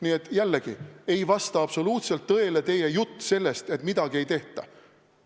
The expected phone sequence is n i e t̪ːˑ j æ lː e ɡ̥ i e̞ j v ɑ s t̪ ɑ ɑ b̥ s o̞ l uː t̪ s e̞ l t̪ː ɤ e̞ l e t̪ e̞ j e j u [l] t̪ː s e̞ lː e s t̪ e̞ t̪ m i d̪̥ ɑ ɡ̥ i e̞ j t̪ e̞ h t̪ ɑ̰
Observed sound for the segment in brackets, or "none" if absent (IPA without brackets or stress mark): none